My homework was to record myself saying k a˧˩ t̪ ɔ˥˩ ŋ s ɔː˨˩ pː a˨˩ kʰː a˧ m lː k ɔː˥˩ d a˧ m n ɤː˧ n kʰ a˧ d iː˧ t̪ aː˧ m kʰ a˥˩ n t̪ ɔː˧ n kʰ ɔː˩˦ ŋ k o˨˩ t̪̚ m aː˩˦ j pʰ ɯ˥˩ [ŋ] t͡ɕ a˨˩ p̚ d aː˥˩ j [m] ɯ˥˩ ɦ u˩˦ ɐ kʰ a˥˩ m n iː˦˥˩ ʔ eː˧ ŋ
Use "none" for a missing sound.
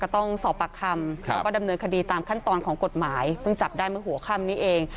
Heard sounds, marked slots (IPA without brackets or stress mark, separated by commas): ŋ, m